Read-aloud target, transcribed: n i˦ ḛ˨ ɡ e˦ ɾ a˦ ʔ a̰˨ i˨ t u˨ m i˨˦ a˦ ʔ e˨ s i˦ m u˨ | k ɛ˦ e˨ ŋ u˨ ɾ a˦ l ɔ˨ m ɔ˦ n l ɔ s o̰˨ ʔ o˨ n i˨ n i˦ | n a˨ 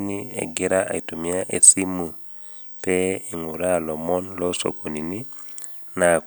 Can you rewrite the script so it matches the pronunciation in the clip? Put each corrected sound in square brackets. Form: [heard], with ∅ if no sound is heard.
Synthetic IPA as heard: n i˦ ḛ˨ ɡ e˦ ɾ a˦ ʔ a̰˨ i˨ t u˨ m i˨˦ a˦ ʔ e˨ s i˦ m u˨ | [p] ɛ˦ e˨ ŋ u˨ ɾ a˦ l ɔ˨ m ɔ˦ n l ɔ s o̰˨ [k] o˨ n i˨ n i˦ | n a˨